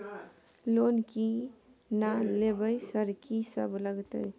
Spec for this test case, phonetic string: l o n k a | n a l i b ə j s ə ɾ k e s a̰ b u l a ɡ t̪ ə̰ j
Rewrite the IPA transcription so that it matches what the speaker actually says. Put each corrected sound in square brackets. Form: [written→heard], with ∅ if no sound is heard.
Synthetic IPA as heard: l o n k [a→i] | n a l [i→e] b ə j s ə ɾ k [e→i] s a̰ b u l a ɡ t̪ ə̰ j